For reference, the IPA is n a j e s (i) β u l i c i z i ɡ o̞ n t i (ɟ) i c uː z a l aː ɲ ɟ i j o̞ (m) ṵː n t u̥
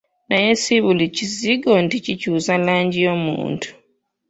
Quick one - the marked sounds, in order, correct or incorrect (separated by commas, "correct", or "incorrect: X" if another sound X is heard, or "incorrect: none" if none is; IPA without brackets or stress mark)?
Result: correct, incorrect: c, correct